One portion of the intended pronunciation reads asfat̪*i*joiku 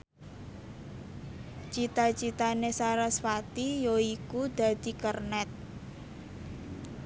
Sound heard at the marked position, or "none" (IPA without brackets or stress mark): i